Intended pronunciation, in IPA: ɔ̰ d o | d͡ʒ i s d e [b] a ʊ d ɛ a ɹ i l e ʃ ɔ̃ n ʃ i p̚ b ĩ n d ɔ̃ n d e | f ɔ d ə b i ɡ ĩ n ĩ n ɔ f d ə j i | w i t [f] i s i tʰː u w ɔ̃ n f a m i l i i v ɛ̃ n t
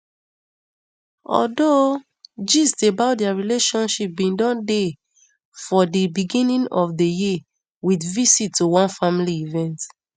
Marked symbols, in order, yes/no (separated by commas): yes, no